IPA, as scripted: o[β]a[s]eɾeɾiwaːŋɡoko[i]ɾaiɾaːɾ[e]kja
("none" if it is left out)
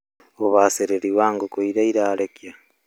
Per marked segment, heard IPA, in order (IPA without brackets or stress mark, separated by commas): β, s, i, e